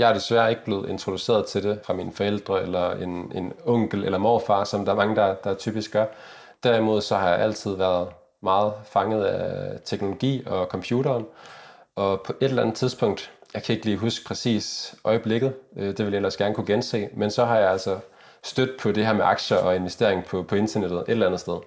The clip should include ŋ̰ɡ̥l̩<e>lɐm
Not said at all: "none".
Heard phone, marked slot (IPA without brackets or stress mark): e